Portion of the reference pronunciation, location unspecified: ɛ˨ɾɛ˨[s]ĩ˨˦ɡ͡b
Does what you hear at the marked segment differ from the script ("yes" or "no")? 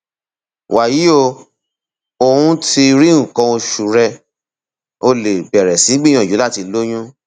no